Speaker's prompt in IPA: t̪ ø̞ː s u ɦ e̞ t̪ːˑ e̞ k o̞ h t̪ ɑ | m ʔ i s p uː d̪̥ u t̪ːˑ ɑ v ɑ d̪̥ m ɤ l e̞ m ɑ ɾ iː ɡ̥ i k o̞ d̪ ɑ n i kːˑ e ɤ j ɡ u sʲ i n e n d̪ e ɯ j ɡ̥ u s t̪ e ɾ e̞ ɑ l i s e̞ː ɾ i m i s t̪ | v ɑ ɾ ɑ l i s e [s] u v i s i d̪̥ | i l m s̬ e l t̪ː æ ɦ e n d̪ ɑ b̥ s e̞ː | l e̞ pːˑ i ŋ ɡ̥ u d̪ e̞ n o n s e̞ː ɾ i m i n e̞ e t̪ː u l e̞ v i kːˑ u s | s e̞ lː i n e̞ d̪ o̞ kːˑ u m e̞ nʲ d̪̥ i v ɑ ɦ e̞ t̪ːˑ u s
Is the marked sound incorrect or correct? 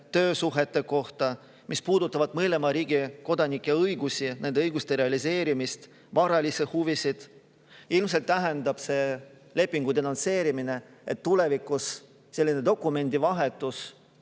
incorrect